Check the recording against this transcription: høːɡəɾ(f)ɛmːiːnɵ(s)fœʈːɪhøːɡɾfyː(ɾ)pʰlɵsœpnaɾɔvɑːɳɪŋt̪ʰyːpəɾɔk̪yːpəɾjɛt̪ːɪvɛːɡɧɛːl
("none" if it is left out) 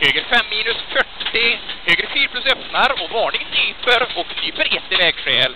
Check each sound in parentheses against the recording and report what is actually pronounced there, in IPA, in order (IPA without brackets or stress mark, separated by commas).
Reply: f, s, ɾ